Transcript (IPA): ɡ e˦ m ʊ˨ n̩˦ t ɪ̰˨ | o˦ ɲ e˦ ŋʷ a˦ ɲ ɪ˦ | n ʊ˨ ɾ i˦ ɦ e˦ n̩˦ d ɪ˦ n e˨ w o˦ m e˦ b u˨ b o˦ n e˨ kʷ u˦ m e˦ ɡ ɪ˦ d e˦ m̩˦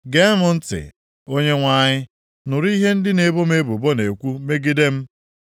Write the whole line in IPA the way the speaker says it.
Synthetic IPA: ɡ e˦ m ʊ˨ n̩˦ t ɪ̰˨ | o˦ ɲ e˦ ŋʷ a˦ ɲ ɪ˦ | n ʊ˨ ɾ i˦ ɦ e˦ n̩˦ d ɪ˦ n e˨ b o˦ m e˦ b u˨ b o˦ n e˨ kʷ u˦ m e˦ ɡ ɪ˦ d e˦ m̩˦